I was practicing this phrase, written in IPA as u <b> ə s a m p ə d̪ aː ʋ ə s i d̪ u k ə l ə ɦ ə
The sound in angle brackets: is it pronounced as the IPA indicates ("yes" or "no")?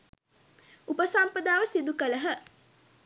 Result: no